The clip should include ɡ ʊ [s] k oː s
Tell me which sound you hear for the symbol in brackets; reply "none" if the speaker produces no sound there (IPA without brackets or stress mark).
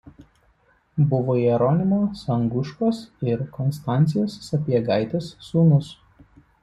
ʃ